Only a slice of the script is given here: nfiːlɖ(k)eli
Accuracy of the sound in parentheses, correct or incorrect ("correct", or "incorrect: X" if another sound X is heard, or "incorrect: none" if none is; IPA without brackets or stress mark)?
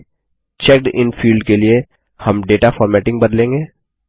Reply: correct